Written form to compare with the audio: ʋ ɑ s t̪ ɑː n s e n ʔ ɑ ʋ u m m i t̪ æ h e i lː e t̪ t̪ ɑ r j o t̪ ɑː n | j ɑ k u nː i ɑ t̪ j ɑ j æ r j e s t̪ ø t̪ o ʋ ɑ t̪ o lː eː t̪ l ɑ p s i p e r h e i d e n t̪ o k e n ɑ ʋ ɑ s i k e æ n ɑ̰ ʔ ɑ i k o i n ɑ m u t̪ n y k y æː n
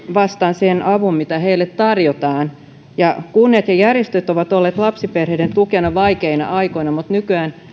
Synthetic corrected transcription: ʋ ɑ s t̪ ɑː n s e n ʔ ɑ ʋ u m m i t̪ æ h e i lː e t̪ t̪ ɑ r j o t̪ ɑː n | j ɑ k u nː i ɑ t̪ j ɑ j æ r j e s t̪ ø t̪ o ʋ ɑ t̪ o lː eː t̪ l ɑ p s i p e r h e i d e n t̪ u k e n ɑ ʋ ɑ i k e i n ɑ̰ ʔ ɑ i k o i n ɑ m u t̪ n y k y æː n